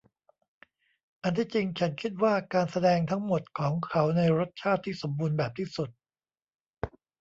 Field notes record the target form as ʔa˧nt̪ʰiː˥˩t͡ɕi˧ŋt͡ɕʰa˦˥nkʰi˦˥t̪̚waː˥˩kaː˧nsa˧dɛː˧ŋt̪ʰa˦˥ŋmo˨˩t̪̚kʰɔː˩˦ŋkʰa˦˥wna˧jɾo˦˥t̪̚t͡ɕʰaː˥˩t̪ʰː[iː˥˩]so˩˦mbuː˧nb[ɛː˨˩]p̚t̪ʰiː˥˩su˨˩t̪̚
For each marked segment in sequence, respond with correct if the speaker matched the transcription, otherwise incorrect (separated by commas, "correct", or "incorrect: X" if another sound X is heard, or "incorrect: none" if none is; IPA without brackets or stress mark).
correct, correct